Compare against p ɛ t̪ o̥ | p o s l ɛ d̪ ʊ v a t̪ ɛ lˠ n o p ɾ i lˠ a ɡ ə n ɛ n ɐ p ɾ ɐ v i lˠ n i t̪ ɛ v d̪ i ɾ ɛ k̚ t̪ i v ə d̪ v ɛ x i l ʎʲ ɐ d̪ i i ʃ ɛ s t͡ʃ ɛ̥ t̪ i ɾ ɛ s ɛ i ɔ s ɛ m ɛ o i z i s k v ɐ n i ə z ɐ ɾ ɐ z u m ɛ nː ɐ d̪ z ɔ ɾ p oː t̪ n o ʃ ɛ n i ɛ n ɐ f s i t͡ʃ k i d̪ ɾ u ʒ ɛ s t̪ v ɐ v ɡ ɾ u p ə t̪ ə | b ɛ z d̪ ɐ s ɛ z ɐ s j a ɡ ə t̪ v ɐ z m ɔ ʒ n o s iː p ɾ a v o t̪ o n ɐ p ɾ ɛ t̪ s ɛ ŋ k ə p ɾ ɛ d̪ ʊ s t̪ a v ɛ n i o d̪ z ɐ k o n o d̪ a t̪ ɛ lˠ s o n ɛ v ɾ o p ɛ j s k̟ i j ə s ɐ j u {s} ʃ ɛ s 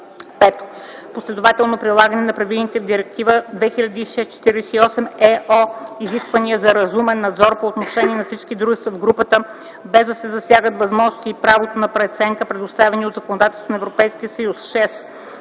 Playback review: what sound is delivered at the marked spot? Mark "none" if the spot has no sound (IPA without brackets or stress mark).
s